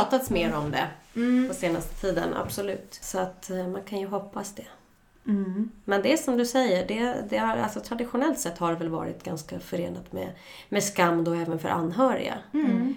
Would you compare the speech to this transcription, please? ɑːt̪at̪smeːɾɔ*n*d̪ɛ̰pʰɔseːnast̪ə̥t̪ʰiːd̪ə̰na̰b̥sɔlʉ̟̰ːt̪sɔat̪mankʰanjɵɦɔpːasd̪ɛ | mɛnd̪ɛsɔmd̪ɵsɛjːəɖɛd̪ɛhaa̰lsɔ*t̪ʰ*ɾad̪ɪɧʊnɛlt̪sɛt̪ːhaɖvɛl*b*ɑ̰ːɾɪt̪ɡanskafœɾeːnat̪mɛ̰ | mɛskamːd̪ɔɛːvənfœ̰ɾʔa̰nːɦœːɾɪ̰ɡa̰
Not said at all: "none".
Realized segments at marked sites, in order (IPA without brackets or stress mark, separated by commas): m, t̪ʰ, v